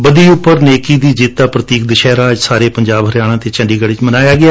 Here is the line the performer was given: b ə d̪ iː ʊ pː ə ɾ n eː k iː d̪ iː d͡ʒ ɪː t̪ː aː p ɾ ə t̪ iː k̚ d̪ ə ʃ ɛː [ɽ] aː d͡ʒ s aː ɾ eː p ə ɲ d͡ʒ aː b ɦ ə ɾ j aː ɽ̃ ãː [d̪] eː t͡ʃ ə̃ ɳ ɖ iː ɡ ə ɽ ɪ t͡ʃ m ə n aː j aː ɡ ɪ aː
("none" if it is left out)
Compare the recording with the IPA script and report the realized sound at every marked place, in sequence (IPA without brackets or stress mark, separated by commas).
ɾ, t̪